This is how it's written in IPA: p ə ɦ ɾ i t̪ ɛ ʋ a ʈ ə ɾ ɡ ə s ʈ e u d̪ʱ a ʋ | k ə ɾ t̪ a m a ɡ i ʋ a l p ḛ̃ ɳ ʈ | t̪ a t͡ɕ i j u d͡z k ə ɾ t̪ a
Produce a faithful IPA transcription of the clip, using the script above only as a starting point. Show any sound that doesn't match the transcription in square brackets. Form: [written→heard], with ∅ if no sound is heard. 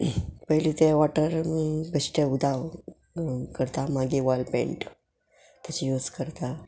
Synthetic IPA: p ə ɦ [ɾ→l] i t̪ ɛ ʋ a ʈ ə ɾ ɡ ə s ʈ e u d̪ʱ a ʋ | k ə ɾ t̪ a m a ɡ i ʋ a l p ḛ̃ ɳ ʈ | t̪ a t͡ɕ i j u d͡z k ə ɾ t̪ a